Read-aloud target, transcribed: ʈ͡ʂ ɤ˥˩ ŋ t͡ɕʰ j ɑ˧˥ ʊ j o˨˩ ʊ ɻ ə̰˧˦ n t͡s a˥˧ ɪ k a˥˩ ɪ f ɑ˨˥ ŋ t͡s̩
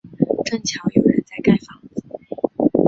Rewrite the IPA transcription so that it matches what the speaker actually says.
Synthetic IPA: ʈ͡ʂ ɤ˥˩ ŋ t͡ɕʰ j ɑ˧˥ ʊ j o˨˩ ʊ ɻ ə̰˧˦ n t͡s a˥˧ ɪ k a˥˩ ɪ f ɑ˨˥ ŋ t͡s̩